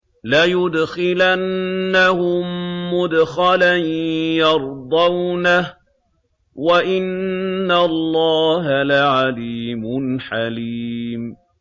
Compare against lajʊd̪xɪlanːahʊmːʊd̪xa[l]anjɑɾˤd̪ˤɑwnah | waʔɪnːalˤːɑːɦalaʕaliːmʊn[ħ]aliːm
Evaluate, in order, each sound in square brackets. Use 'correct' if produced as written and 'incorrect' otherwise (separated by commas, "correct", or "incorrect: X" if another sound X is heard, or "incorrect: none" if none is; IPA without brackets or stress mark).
correct, correct